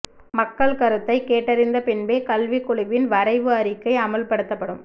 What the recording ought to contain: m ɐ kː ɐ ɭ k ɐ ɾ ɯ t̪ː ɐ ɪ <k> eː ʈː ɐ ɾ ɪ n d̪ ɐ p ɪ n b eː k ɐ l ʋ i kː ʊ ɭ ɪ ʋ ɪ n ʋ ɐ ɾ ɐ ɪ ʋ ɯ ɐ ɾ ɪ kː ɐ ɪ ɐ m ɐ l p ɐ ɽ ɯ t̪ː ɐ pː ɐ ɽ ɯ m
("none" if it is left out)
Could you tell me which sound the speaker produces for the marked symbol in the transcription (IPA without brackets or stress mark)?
k